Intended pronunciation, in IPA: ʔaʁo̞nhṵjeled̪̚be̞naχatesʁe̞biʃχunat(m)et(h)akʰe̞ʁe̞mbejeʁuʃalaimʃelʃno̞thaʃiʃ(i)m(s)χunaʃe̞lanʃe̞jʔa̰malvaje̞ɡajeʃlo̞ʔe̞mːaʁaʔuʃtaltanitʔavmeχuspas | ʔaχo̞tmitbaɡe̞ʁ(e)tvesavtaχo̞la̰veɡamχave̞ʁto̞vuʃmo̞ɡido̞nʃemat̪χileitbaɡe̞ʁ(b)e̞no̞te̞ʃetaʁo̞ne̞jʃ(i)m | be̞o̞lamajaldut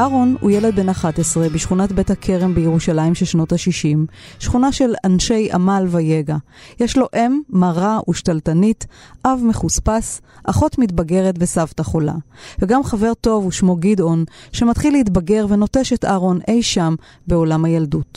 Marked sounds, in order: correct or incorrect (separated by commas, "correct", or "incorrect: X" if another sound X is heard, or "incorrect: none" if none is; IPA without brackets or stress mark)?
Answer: incorrect: b, correct, correct, incorrect: ʃ, correct, incorrect: v, incorrect: a